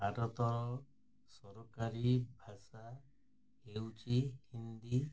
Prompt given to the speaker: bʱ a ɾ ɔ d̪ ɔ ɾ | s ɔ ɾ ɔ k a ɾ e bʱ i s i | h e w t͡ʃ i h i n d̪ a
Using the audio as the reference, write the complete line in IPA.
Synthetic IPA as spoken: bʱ a ɾ ɔ t̪ ɔ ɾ | s ɔ ɾ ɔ k a ɾ i bʱ a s a | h e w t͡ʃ i h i n d̪ i